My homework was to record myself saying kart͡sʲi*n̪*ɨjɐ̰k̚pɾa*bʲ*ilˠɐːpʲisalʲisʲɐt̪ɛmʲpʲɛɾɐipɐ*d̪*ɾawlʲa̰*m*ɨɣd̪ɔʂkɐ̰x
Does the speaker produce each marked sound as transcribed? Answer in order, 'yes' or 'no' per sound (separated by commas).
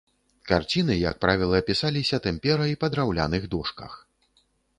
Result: yes, no, yes, no